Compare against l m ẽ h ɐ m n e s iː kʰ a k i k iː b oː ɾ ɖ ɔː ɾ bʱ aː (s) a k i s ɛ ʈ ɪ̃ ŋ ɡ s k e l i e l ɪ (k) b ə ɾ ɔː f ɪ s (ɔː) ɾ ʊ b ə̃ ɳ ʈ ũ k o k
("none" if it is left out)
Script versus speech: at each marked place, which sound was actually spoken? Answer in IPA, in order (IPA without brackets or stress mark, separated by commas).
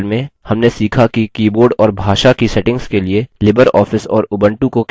ʃ, none, ɔː